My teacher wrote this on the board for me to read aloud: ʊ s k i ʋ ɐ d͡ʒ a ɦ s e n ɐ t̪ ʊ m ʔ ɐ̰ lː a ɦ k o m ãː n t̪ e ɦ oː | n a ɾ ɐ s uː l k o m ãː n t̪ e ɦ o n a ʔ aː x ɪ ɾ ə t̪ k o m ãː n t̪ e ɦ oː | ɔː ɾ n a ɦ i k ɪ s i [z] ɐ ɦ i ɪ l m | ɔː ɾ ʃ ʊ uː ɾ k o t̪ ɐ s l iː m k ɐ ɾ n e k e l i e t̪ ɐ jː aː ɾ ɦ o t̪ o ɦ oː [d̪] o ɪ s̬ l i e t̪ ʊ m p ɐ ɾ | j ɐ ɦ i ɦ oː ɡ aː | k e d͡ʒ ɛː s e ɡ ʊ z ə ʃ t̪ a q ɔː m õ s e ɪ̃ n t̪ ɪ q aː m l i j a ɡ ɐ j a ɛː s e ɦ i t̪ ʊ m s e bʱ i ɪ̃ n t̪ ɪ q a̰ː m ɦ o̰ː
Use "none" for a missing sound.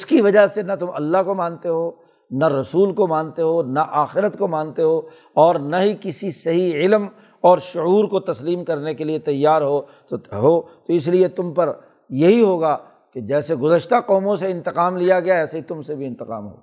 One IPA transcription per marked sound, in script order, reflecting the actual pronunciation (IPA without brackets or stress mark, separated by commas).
s, t̪